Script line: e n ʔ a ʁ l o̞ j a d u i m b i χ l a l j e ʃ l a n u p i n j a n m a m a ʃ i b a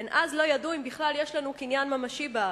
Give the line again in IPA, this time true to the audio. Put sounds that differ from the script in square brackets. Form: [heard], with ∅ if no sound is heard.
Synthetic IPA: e n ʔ a [z] l o̞ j a d u i m b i χ l a l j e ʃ l a n u [k] i n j a n m a m a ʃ i b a